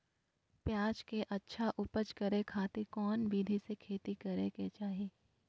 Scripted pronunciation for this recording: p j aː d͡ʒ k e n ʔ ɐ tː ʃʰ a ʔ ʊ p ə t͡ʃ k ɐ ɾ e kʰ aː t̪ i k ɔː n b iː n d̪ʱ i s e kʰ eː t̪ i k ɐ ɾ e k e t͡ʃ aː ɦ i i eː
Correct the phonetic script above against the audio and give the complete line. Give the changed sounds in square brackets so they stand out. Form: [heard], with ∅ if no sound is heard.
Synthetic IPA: p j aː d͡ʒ k e [∅] ʔ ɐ tː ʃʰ a ʔ ʊ p ə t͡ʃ k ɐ ɾ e kʰ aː t̪ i k ɔː n b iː [∅] d̪ʱ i s e kʰ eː t̪ i k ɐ ɾ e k e t͡ʃ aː ɦ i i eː